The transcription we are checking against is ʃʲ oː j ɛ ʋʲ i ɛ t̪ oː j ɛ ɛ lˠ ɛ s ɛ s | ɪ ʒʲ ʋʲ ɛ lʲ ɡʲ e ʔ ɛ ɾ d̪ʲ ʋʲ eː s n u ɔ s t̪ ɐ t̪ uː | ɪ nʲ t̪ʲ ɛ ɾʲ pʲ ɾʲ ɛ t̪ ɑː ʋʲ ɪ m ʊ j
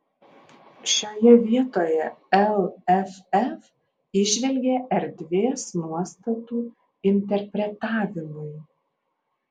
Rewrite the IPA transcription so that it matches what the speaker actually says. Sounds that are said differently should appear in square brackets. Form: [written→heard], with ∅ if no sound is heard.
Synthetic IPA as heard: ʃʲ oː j ɛ ʋʲ i ɛ t̪ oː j ɛ ɛ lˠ ɛ [s→f] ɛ [s→f] | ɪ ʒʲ ʋʲ ɛ lʲ ɡʲ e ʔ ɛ ɾ d̪ʲ ʋʲ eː s n u ɔ s t̪ ɐ t̪ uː | ɪ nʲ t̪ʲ ɛ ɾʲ pʲ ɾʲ ɛ t̪ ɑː ʋʲ ɪ m ʊ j

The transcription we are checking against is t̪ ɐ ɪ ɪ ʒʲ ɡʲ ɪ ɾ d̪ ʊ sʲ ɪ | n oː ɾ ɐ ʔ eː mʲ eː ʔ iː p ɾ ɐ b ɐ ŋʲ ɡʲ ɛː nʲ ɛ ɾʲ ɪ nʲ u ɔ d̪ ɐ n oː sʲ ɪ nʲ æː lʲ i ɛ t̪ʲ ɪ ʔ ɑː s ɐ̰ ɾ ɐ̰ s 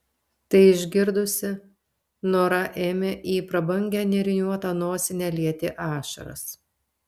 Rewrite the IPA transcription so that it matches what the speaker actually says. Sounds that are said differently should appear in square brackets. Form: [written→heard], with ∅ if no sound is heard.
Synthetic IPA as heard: t̪ ɐ ɪ ɪ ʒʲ ɡʲ ɪ ɾ d̪ ʊ sʲ ɪ | n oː ɾ ɐ ʔ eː mʲ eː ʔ iː p ɾ ɐ b ɐ ŋʲ ɡʲ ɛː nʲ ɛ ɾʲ ɪ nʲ u ɔ [d̪→t̪] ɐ n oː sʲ ɪ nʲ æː lʲ i ɛ t̪ʲ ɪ ʔ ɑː [s→ʃ] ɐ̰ ɾ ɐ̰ s

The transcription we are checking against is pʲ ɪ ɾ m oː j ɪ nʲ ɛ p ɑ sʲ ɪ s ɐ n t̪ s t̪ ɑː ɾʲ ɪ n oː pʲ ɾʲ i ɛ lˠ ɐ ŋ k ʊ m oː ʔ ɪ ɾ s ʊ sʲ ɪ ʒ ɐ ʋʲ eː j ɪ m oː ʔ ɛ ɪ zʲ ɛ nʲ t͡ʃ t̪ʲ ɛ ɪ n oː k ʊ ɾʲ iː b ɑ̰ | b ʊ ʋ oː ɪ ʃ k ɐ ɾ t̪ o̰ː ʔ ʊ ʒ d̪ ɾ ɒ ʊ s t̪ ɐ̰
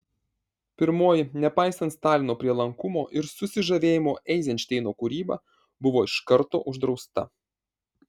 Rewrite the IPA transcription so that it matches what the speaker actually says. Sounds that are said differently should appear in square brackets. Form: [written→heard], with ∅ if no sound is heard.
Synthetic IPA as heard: pʲ ɪ ɾ m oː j ɪ nʲ ɛ p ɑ [sʲ→∅] ɪ s ɐ n t̪ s t̪ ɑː [ɾʲ→lʲ] ɪ n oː pʲ ɾʲ i ɛ lˠ ɐ ŋ k ʊ m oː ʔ ɪ ɾ s ʊ sʲ ɪ ʒ ɐ ʋʲ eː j ɪ m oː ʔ ɛ ɪ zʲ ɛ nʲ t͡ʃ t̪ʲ ɛ ɪ n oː k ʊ ɾʲ iː b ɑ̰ | b ʊ ʋ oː ɪ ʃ k ɐ ɾ t̪ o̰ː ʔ ʊ ʒ d̪ ɾ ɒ ʊ s t̪ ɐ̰

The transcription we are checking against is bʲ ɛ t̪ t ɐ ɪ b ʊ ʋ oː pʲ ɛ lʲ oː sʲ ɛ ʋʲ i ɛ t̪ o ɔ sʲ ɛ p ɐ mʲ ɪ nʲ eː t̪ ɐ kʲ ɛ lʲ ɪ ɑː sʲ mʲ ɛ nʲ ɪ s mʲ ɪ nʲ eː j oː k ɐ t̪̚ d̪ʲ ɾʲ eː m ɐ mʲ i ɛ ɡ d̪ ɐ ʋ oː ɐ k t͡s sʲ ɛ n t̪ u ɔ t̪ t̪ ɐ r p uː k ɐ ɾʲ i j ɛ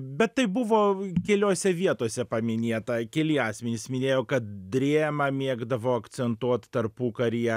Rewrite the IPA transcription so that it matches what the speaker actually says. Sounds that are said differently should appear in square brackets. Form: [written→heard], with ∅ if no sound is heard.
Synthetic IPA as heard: bʲ ɛ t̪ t ɐ ɪ b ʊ ʋ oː [pʲ→kʲ] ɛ lʲ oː sʲ ɛ ʋʲ i ɛ t̪ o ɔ sʲ ɛ p ɐ mʲ ɪ nʲ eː t̪ ɐ kʲ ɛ lʲ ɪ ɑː sʲ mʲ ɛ nʲ ɪ s mʲ ɪ nʲ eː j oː k ɐ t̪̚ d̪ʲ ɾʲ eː m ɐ mʲ i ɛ ɡ d̪ ɐ ʋ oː ɐ k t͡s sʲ ɛ n t̪ u ɔ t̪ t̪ ɐ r p uː k ɐ ɾʲ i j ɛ

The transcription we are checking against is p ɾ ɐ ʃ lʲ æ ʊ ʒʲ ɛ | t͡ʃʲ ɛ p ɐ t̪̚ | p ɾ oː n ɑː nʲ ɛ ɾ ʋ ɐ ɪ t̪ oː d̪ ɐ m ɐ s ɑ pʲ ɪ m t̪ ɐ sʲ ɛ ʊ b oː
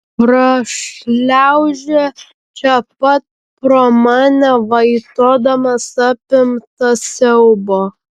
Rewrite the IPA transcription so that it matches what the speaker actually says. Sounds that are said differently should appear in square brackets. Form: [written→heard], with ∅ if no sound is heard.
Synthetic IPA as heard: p ɾ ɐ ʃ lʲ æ ʊ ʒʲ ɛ | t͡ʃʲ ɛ p ɐ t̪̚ | p ɾ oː [n→m] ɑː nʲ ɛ [ɾ→∅] ʋ ɐ ɪ t̪ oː d̪ ɐ m ɐ s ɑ pʲ ɪ m t̪ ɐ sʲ ɛ ʊ b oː

